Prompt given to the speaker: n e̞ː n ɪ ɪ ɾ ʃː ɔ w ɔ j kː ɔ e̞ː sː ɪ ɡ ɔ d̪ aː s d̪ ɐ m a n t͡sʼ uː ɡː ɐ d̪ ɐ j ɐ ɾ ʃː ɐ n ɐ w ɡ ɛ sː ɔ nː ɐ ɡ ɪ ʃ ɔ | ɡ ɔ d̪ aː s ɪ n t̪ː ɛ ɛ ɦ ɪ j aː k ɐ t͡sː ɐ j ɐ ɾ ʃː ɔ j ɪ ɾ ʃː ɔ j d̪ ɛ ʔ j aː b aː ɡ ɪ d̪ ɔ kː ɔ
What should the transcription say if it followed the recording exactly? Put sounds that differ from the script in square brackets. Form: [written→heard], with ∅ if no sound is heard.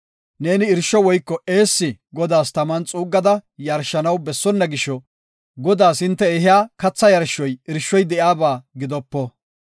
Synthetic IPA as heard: n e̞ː n ɪ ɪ ɾ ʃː ɔ w ɔ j kː ɔ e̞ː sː ɪ ɡ ɔ d̪ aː s [d̪→t̪] ɐ m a n t͡sʼ uː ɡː ɐ d̪ ɐ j ɐ ɾ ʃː ɐ n ɐ w [ɡ→b] ɛ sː ɔ nː ɐ ɡ ɪ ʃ ɔ | ɡ ɔ d̪ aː s ɪ n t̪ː ɛ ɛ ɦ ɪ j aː k ɐ t͡sː ɐ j ɐ ɾ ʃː ɔ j ɪ ɾ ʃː ɔ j d̪ ɛ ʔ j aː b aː ɡ ɪ d̪ ɔ [kː→pː] ɔ